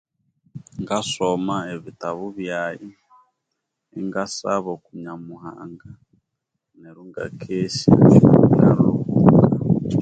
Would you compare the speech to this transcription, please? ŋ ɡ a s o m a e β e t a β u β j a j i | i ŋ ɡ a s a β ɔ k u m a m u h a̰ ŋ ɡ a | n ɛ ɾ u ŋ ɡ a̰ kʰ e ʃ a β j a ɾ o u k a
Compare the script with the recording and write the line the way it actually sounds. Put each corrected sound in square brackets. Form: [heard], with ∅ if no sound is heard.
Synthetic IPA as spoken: ŋ ɡ a s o m a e β [i] t a β u β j a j i | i ŋ ɡ a s a β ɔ k u [ɲ] a m u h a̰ ŋ ɡ a | n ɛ ɾ u ŋ ɡ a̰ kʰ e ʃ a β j a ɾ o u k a